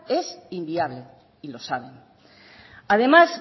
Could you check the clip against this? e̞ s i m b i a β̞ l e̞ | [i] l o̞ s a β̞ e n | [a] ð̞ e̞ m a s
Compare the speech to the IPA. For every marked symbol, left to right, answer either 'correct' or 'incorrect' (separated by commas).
correct, correct